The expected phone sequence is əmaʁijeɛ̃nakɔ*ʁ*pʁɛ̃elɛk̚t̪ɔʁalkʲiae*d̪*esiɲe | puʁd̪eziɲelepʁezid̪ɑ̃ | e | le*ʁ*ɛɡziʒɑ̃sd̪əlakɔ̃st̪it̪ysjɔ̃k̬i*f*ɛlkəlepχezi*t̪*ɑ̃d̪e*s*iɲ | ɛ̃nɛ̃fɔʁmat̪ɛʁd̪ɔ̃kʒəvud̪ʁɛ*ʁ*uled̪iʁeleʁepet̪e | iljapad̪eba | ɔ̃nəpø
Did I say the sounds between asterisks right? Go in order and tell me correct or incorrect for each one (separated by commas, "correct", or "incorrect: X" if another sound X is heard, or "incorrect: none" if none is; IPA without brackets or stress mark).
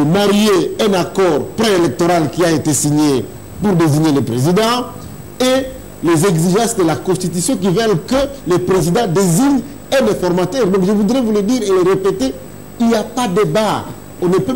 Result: correct, incorrect: t̪, incorrect: z, incorrect: v, incorrect: d̪, incorrect: z, incorrect: v